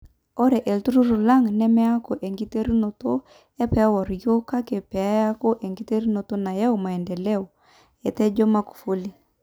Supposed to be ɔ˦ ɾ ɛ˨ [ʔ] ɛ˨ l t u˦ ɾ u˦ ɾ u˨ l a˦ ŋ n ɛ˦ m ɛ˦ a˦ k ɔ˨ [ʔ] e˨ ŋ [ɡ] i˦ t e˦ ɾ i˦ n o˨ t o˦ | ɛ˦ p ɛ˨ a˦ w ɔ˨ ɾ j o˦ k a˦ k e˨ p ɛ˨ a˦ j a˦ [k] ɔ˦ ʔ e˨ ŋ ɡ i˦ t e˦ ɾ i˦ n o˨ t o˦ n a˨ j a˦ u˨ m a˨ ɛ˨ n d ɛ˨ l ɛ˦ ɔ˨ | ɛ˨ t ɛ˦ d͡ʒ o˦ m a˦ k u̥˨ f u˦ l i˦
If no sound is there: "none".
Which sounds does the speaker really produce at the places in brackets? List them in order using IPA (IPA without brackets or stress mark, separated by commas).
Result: ʔ, ʔ, ɡ, k